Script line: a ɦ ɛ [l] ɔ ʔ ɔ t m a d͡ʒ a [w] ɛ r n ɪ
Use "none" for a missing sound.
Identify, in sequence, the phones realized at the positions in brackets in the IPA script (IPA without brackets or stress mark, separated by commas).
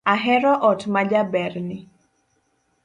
ɾ, b